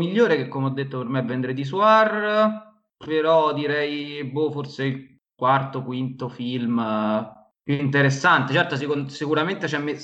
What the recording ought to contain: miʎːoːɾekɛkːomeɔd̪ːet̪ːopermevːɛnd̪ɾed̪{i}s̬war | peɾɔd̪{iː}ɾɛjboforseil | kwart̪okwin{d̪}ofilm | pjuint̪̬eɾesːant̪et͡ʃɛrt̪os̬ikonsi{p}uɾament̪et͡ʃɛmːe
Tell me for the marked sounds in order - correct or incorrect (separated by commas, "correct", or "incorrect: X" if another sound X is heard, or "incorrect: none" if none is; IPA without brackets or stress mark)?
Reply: correct, incorrect: i, incorrect: t̪, incorrect: k